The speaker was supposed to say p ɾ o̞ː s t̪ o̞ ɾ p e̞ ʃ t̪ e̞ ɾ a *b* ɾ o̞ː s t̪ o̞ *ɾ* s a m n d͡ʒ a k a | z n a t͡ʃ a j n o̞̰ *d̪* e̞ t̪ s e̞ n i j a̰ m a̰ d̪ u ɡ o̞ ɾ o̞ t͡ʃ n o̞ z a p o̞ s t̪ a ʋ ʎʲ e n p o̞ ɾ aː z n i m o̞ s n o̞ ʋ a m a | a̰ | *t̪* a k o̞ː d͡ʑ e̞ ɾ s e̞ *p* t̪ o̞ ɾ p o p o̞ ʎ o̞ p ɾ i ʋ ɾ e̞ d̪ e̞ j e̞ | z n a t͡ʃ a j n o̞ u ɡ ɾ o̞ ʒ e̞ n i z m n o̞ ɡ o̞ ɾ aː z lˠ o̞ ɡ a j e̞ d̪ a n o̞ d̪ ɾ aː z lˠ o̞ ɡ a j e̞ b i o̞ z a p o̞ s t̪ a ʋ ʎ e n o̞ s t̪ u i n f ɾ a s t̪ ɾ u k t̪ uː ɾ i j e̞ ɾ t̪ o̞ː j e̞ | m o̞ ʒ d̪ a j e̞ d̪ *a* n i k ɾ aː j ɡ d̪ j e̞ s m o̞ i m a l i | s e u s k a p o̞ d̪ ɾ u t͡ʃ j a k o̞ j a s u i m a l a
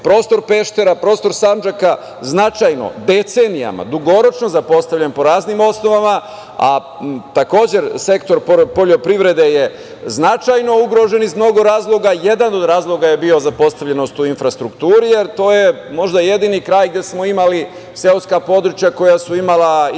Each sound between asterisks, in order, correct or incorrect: incorrect, correct, correct, correct, incorrect, incorrect

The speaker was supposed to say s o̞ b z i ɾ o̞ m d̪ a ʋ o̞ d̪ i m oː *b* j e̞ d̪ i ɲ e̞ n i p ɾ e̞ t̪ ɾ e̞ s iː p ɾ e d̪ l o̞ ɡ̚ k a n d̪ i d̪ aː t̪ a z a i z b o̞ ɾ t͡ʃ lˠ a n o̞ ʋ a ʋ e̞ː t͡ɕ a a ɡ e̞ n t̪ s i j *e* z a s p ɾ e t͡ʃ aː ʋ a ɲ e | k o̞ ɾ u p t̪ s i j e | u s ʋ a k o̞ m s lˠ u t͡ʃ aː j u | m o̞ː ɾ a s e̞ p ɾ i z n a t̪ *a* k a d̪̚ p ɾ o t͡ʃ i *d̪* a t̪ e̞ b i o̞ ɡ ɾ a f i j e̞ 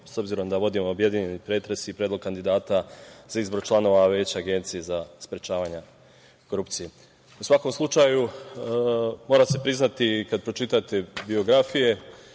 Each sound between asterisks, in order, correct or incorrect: correct, correct, incorrect, incorrect

